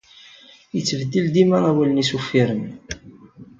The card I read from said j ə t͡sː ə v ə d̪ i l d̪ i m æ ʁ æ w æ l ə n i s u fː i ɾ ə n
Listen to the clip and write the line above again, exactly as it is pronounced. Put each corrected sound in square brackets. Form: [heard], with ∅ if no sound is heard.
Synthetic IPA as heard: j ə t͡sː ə v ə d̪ i l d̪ i m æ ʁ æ w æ l ə n i s u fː i ɾ ə n